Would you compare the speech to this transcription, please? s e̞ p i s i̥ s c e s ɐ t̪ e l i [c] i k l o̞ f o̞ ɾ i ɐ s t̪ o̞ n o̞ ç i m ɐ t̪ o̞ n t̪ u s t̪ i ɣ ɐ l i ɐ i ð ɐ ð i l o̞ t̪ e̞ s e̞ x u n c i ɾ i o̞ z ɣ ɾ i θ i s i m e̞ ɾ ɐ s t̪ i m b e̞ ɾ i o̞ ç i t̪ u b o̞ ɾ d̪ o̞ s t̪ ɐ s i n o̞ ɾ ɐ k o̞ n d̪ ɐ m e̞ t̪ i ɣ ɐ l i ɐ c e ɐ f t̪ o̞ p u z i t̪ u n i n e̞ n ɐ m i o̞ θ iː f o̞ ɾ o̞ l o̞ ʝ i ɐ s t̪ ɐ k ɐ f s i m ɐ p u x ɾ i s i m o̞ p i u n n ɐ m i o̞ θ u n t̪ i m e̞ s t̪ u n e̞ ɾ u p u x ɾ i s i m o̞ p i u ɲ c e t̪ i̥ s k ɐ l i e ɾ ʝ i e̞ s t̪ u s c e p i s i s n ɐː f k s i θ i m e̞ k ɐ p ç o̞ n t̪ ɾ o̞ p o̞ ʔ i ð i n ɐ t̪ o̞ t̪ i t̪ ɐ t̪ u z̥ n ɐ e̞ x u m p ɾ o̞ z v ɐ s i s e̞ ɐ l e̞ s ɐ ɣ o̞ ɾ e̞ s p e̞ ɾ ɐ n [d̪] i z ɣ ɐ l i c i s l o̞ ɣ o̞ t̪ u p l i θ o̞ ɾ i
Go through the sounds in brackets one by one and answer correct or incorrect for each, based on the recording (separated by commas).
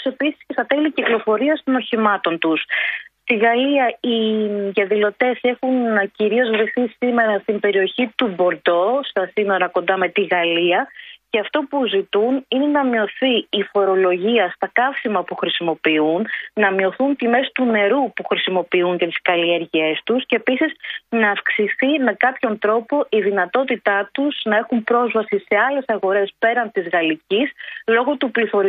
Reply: correct, incorrect